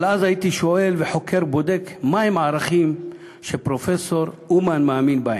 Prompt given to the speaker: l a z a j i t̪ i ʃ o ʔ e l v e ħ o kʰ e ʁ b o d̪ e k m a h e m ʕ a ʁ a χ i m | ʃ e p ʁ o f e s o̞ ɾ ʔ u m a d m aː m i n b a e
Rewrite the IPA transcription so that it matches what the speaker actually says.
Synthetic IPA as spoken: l a z a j i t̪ i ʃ o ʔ e l v e ħ o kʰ e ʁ b o d̪ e k m a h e m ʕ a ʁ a χ i m | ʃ e p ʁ o f e s o̞ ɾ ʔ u m a n m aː m i n b a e